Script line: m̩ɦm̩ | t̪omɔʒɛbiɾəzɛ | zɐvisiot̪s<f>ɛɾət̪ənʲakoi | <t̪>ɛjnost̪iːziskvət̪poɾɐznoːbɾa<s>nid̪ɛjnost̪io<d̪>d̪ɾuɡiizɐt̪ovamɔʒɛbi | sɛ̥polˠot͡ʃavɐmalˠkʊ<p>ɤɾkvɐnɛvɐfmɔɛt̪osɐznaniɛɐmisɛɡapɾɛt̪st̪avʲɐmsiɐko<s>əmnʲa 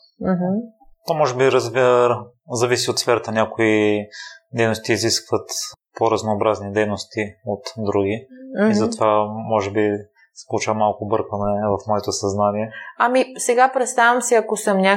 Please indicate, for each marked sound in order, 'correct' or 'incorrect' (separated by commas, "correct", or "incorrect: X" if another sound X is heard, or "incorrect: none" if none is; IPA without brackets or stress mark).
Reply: correct, incorrect: d̪, incorrect: z, incorrect: t̪, incorrect: b, correct